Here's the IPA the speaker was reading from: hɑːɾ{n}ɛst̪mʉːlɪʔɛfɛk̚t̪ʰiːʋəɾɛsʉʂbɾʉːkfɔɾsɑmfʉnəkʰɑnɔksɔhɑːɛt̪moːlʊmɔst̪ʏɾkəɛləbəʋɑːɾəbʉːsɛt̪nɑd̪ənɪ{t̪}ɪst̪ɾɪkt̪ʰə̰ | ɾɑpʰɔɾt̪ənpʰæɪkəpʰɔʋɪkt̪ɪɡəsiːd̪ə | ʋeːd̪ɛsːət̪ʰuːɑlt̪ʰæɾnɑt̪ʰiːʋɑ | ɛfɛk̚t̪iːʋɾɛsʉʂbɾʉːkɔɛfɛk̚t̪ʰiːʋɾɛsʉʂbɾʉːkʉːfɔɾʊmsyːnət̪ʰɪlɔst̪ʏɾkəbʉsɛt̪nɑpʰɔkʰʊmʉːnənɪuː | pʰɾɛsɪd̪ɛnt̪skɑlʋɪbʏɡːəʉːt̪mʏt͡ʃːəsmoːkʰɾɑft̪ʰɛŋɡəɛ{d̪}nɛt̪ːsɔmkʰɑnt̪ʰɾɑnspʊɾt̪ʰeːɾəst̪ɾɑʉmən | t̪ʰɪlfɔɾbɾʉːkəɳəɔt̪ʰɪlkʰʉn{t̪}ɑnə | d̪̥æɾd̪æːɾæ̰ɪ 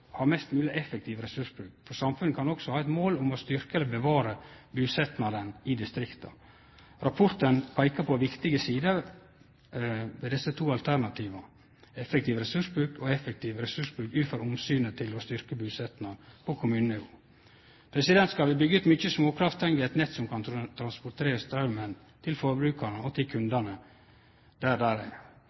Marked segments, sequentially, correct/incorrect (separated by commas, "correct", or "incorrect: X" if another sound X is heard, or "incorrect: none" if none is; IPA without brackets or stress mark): incorrect: m, incorrect: d̪, incorrect: t̪, incorrect: d̪